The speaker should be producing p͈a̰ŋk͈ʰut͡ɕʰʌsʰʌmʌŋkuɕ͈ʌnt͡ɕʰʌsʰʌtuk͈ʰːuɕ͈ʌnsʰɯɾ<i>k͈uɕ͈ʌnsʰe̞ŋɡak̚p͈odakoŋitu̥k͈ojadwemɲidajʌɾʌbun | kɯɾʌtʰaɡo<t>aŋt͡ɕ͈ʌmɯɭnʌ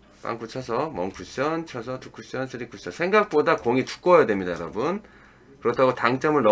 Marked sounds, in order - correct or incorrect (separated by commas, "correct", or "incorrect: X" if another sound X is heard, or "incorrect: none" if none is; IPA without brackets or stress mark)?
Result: correct, correct